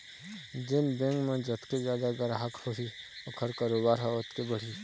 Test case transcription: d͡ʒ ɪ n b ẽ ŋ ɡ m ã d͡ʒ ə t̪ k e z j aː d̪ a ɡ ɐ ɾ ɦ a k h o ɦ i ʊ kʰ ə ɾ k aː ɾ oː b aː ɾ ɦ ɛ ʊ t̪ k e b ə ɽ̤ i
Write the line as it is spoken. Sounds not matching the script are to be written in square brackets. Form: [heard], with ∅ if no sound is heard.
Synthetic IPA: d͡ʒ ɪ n b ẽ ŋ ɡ m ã d͡ʒ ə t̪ k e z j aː d̪ a ɡ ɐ ɾ ɦ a k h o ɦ i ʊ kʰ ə ɾ k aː ɾ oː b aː ɾ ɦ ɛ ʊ t̪ k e b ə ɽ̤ i